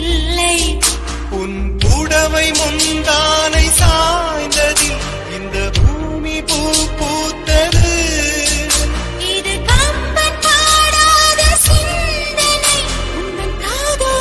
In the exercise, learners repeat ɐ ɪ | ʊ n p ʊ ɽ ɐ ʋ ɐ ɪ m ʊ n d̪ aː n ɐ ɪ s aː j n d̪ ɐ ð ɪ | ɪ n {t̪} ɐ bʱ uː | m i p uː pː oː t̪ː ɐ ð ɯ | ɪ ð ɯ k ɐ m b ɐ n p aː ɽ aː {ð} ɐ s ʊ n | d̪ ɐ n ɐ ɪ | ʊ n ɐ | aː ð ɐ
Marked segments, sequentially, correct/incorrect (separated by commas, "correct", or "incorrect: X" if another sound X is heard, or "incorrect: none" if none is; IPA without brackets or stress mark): incorrect: d̪, correct